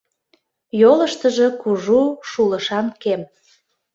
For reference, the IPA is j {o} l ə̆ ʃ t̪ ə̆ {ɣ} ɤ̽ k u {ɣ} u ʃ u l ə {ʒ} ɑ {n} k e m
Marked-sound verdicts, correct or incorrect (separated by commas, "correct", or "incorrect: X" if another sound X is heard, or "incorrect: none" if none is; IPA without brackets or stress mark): correct, incorrect: ʒ, incorrect: ʒ, incorrect: ʃ, correct